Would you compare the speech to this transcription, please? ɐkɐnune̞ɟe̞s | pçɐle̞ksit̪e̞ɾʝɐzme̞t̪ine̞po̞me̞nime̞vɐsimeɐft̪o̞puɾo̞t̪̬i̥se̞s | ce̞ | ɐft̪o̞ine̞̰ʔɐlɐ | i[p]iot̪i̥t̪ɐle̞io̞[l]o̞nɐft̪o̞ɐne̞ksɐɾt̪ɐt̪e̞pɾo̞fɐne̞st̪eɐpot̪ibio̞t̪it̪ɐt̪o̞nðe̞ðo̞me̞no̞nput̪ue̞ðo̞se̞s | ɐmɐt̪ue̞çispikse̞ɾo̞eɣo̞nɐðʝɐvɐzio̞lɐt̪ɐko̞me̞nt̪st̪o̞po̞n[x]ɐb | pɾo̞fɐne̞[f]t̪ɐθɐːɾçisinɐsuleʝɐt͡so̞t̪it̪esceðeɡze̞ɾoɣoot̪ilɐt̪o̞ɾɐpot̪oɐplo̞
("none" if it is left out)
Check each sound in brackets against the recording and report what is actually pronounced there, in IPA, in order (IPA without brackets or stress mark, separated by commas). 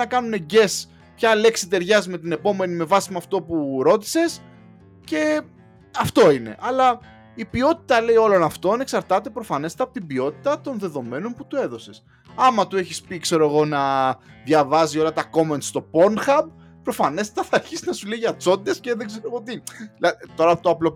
p, l, x, s